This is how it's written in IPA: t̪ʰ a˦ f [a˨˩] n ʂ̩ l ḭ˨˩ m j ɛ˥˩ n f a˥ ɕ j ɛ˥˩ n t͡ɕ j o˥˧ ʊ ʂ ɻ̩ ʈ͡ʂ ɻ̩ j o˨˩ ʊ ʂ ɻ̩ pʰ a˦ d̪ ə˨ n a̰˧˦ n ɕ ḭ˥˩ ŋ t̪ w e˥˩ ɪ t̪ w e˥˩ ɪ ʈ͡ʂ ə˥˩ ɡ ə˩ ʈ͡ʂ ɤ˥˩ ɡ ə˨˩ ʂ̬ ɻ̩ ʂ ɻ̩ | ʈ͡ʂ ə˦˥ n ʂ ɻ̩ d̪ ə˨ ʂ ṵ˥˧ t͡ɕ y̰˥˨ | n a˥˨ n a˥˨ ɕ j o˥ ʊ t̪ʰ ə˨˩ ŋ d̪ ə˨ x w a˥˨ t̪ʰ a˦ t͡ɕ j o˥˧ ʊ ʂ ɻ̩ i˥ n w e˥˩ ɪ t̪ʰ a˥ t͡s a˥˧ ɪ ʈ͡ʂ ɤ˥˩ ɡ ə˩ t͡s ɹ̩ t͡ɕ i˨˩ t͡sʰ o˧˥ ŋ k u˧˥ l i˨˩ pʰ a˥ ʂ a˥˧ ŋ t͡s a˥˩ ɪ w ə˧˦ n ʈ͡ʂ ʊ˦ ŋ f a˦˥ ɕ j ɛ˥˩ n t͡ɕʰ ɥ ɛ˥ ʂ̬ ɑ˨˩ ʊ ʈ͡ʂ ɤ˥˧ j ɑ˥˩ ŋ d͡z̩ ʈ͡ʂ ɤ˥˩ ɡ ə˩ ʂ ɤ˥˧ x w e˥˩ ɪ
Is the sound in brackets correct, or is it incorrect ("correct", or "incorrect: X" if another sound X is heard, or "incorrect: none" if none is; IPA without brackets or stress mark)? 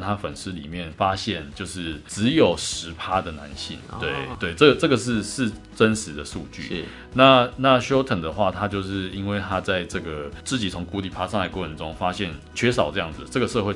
incorrect: ə˨˩